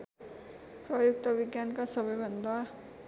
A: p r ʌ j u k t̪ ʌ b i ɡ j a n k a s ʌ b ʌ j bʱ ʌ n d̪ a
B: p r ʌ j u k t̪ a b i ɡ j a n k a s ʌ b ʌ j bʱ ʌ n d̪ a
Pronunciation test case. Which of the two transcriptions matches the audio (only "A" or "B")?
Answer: A